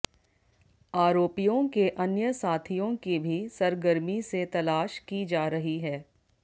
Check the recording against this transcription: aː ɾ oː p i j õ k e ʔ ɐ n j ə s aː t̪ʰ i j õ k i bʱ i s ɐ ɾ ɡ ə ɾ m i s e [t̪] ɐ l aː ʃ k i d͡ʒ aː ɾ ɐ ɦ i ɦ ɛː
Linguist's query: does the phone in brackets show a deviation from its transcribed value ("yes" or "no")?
no